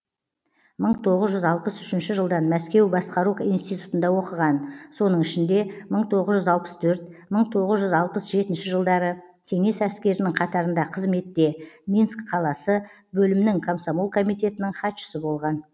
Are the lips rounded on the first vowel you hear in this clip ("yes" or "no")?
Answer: no